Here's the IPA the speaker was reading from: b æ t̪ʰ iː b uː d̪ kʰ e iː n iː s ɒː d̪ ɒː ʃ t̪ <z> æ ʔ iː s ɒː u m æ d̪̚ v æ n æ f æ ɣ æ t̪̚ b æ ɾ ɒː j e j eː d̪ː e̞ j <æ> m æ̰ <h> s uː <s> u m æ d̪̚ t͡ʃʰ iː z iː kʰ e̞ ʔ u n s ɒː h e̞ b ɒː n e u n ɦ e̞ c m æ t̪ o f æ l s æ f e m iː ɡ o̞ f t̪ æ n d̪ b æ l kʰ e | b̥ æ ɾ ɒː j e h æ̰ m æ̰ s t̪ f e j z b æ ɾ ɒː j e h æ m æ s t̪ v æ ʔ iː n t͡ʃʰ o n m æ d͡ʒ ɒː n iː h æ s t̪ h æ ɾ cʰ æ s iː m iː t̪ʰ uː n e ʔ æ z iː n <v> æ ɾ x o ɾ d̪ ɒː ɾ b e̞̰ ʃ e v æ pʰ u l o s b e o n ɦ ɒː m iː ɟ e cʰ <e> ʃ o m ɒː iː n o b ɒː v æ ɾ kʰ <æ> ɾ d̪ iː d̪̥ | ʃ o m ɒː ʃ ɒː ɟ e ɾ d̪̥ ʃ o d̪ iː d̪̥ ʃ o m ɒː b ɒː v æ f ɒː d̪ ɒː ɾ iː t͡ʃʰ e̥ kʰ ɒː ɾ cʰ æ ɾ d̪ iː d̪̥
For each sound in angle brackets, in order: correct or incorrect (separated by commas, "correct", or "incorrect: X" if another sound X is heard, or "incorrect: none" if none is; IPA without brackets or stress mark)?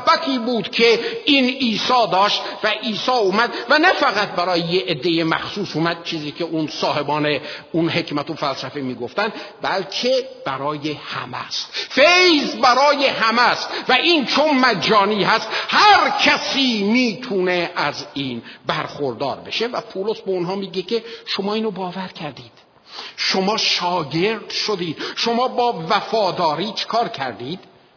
incorrect: v, incorrect: e, incorrect: x, correct, incorrect: b, correct, correct